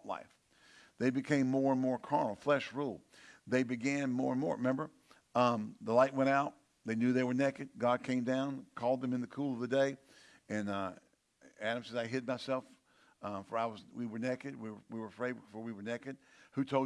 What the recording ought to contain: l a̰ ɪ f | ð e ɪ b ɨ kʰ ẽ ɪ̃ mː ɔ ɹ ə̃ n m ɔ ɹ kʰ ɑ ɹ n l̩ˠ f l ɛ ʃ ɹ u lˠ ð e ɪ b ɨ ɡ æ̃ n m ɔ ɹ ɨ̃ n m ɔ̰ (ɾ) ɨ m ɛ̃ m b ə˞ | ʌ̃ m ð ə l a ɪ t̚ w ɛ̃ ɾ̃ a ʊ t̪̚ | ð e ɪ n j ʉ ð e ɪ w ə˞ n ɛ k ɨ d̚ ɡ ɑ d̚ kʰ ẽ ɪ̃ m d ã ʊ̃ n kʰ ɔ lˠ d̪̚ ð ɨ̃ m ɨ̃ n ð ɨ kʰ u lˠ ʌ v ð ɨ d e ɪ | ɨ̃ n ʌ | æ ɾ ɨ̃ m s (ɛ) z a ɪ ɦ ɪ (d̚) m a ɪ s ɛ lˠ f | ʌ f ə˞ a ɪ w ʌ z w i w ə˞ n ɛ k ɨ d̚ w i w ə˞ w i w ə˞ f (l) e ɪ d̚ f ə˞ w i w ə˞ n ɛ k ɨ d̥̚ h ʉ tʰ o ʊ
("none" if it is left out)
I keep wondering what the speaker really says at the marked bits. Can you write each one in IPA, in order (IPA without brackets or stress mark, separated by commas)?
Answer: ɹ, ɛ, d̚, ɹ